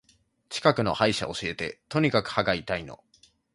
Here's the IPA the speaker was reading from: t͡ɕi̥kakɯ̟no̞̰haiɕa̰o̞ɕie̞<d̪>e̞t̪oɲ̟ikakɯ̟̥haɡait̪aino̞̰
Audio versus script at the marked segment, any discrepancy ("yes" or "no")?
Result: yes